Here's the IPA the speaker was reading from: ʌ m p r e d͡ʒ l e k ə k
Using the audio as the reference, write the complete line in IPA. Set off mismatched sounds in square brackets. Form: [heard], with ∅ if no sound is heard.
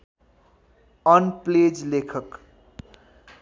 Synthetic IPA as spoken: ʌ [n] p [l] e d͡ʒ l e [kʰ] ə k